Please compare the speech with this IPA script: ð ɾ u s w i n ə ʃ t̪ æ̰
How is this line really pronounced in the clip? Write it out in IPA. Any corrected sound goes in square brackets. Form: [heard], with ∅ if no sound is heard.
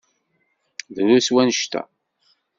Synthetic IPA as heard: ð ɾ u s w [æ] n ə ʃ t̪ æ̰